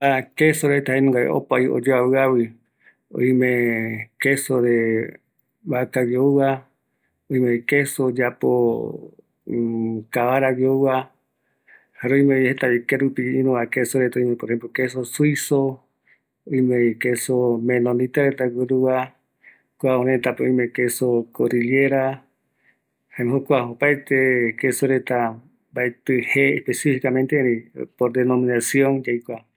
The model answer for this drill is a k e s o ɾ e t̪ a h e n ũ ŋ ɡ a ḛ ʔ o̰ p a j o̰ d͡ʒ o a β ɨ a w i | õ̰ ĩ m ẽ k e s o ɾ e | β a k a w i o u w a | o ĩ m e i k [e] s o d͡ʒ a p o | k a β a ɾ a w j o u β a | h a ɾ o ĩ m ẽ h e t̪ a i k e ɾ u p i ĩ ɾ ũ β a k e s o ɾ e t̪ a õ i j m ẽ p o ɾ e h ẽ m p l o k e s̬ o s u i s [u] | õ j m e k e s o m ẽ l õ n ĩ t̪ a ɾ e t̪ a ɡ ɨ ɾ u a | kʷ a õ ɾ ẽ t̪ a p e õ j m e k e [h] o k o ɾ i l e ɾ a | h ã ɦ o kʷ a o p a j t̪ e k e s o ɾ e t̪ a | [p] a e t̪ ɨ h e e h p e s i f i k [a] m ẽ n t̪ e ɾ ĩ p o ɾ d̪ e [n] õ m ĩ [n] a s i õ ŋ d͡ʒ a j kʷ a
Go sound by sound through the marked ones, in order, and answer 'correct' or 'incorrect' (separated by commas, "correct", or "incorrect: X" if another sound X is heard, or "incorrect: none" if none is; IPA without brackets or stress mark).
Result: correct, incorrect: o, incorrect: s, incorrect: b, correct, correct, correct